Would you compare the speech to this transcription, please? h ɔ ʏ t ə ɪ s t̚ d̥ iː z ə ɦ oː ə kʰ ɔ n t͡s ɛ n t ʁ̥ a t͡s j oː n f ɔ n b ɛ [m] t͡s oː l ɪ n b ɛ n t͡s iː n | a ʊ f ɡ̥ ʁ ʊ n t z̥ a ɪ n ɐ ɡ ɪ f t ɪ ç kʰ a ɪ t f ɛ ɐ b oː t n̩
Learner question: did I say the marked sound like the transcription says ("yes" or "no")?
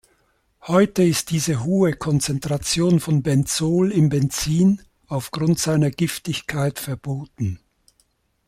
no